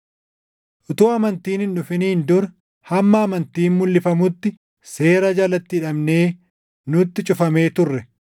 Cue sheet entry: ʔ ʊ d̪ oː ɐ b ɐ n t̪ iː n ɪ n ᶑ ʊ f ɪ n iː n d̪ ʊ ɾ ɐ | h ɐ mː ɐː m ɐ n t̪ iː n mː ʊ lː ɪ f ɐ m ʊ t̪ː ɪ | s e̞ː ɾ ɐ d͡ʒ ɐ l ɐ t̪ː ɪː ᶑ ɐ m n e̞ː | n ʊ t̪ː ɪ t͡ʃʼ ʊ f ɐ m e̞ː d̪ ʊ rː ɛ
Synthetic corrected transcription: ʔ ʊ t̪ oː ɐ m ɐ n t̪ iː n ɪ n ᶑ ʊ f ɪ n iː n d̪ ʊ ɾ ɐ | h ɐ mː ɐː m ɐ n t̪ iː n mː ʊ lː ɪ f ɐ m ʊ t̪ː ɪ | s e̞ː ɾ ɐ d͡ʒ ɐ l ɐ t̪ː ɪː ᶑ ɐ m n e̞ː | n ʊ t̪ː ɪ t͡ʃʼ ʊ f ɐ m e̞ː t̪ ʊ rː ɛ